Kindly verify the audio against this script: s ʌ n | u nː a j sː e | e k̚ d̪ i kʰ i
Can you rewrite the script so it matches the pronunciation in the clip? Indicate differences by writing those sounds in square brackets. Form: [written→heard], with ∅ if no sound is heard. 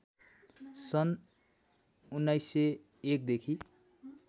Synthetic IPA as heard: s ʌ n | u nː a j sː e | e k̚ d̪ [i→e] kʰ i